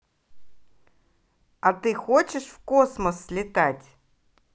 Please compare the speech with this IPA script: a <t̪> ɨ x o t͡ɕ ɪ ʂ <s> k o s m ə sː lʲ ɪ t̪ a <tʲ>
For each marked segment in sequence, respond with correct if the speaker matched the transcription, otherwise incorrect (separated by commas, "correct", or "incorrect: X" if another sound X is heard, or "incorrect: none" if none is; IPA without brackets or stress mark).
correct, incorrect: f, correct